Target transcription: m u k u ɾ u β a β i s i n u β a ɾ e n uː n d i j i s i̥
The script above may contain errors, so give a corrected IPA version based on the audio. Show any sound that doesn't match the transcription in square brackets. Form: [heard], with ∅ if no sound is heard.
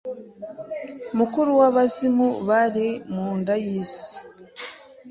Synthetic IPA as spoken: m u k u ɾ u [w] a β [a] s i [m] u β a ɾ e [m] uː n d [a] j i s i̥